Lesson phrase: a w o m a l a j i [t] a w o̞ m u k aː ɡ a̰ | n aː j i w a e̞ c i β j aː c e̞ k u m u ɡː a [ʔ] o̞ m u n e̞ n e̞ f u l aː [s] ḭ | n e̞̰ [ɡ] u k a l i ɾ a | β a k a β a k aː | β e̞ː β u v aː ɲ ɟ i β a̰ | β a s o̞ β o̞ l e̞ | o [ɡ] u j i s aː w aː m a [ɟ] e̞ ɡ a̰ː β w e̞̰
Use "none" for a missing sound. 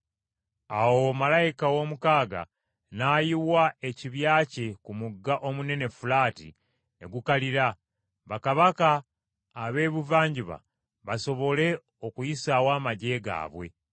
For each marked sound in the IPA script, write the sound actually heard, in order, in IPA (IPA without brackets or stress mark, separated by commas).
k, ʔ, t, ɡ, k, ɟ